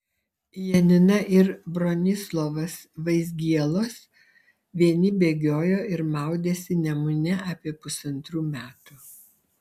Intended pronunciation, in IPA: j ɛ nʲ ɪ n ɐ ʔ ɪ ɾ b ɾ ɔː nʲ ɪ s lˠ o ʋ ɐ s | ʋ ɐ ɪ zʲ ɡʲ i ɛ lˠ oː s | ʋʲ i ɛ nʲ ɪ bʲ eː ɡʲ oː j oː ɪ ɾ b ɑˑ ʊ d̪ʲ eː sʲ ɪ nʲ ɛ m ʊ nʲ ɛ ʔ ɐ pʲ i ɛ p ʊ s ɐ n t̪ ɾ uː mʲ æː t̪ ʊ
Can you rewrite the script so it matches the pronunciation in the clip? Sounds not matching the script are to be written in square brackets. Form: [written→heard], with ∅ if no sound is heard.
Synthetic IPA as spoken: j ɛ nʲ ɪ n ɐ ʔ ɪ ɾ b ɾ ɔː nʲ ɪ s lˠ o ʋ ɐ s | ʋ ɐ ɪ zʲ ɡʲ i ɛ lˠ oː s | ʋʲ i ɛ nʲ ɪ bʲ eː ɡʲ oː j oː ɪ ɾ [b→m] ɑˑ ʊ d̪ʲ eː sʲ ɪ nʲ ɛ m ʊ nʲ ɛ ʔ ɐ pʲ i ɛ p ʊ s ɐ n t̪ ɾ uː mʲ æː t̪ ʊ